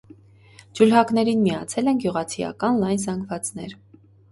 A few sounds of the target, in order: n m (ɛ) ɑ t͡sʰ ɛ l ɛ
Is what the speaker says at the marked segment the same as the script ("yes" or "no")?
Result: no